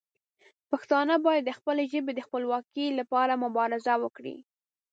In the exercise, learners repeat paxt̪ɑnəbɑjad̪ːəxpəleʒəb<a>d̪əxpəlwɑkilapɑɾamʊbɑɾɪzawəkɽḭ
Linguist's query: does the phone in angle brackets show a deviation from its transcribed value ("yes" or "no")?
yes